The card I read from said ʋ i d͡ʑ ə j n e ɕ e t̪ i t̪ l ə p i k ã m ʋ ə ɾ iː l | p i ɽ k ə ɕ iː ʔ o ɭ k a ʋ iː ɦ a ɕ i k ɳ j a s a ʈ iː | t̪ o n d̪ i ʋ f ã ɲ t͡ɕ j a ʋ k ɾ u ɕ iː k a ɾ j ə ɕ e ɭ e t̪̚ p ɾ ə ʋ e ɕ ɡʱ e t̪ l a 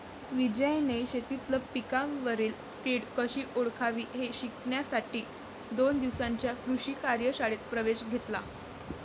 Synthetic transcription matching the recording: ʋ i d͡ʑ ə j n e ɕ e t̪ i t̪ l ə p i k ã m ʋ ə ɾ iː l | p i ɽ k ə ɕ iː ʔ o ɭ kʰ a ʋ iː ɦ e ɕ i k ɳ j a s a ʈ iː | d̪ o n d̪ i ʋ s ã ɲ t͡ɕ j a k ɾ u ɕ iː k a ɾ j ə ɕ a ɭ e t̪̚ p ɾ ə ʋ e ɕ ɡʱ e t̪ l a